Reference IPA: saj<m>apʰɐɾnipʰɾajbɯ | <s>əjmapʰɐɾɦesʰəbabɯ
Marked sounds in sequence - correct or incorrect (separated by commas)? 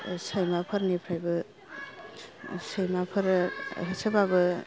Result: correct, correct